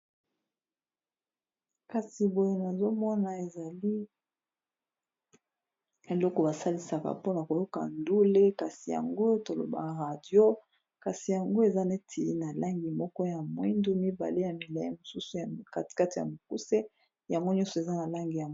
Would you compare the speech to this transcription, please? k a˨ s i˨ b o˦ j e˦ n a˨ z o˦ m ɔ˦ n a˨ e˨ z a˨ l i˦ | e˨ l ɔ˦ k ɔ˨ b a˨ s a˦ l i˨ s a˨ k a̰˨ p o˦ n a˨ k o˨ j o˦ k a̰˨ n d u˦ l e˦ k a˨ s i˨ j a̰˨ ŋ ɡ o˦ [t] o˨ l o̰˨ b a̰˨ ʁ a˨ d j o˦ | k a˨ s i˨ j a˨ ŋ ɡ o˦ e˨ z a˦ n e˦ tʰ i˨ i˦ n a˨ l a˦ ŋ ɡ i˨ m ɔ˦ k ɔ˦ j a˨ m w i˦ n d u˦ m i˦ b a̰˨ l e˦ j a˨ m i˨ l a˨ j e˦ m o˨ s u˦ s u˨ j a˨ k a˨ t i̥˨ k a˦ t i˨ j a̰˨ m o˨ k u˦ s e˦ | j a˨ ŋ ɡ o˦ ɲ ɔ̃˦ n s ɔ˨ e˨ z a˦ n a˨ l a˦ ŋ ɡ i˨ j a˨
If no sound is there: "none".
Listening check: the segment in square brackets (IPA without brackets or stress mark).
t